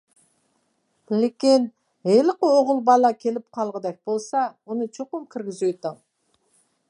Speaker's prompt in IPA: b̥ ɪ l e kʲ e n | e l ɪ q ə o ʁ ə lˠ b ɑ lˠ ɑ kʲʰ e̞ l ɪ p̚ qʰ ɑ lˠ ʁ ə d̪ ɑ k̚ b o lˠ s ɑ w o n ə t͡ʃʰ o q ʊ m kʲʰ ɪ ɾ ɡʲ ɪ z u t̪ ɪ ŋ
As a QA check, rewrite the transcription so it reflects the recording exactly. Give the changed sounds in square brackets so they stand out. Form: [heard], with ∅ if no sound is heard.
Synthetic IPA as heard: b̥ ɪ l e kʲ e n | e l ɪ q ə o ʁ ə lˠ b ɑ lˠ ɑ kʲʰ e̞ l ɪ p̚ qʰ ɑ lˠ ʁ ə d̪ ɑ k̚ b o lˠ s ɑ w o n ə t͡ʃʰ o q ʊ m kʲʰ ɪ ɾ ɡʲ ɪ z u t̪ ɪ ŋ